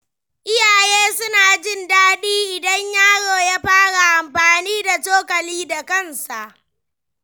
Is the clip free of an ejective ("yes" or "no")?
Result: yes